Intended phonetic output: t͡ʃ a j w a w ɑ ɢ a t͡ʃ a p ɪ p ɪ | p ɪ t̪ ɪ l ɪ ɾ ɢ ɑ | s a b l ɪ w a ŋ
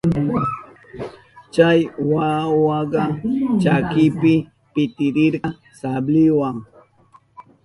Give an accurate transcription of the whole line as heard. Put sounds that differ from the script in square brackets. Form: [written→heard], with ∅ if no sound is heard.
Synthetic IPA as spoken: t͡ʃ a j w a w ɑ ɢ [a→ɑ] t͡ʃ a [p→k] ɪ p ɪ | p ɪ t̪ ɪ [l→ɾ] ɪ ɾ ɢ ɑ | s a b l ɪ w a ŋ

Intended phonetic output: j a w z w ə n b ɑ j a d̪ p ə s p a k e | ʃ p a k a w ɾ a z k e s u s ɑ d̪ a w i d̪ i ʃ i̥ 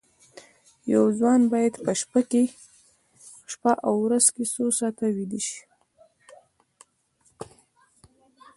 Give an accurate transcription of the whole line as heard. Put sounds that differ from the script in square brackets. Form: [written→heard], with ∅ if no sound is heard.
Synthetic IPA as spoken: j a w z w [ə→ɑ] n b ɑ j a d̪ p ə [s→ʃ] p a k e | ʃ p a [k→ʔ] a w ɾ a z k e s [u→o] s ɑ [d̪→t̪] a w i d̪ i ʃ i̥

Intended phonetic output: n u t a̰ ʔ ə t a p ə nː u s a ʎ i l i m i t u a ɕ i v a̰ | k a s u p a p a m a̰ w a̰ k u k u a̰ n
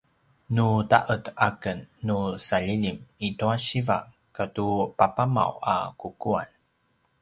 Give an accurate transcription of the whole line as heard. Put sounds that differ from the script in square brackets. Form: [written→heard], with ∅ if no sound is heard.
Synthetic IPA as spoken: n u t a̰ ʔ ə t a [p→k] ə nː u s a ʎ i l i m i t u a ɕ i v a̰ | k a [s→t] u p a p a m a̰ w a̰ k u k u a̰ n

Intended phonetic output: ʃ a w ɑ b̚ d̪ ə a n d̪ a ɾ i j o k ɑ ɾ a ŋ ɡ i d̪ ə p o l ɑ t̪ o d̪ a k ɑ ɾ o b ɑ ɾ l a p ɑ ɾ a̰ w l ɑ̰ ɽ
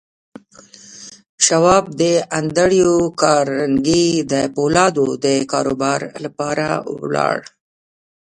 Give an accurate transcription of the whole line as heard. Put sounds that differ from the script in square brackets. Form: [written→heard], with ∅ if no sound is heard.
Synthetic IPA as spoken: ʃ a w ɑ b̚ d̪ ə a n d̪ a [ɾ→ɽ] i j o k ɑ ɾ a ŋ ɡ i d̪ ə p o l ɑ [t̪→d̪] o d̪ [a→ə] k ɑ ɾ o b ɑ ɾ l a p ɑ ɾ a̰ w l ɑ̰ ɽ

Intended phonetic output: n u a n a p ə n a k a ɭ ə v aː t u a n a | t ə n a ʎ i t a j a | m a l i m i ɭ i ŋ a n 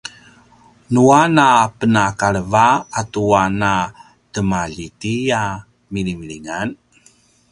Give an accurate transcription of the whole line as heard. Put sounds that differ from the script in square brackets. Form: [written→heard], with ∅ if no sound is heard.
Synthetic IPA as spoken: n u a n a p ə n a k a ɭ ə v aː t u a n a | t ə [n→m] a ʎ i t [a→i] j a | m [a→i] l i m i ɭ i ŋ a n

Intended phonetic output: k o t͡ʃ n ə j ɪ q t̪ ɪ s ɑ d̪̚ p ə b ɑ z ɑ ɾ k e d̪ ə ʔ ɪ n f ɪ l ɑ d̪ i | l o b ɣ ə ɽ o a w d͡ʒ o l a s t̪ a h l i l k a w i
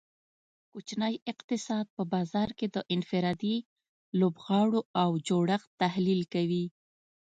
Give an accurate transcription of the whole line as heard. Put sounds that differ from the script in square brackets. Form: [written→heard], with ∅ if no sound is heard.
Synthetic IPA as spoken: k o t͡ʃ n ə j ɪ q t̪ ɪ s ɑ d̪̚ p ə b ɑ z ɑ ɾ k e d̪ ə ʔ ɪ n f ɪ [l→ɾ] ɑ d̪ i | l o b ɣ [ə→ɑ] ɽ o a w d͡ʒ o [l→ɽ] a [s→x] t̪ a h l i l k a w i

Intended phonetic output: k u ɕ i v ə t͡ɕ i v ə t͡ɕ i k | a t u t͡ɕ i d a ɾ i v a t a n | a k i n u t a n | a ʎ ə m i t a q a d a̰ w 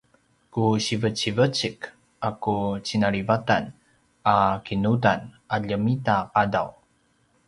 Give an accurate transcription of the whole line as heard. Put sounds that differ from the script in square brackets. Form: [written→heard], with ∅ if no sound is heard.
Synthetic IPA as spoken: k u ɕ i v ə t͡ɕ i v ə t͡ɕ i k | a [t→k] u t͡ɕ i [d→n] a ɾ i v a t a n | a k i n u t a n | a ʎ ə m i t a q a d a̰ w

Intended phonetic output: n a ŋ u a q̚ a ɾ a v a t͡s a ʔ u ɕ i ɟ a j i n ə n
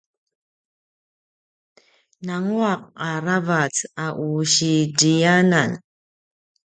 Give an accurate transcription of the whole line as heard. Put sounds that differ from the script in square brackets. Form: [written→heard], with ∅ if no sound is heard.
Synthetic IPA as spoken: n a ŋ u a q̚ a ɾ a v a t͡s a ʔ u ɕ i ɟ [a→i] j [i→a] n [ə→a] n

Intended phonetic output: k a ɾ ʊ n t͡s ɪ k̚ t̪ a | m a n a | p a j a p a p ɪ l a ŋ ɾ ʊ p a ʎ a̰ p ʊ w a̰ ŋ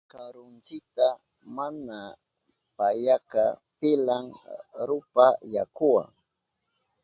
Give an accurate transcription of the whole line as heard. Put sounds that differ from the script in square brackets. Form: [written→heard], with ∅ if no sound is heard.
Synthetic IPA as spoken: k a ɾ ʊ n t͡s ɪ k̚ t̪ a | m a n a | p a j a [p→k] a p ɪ l a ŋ ɾ ʊ p a [ʎ→j] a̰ [p→k] ʊ w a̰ ŋ

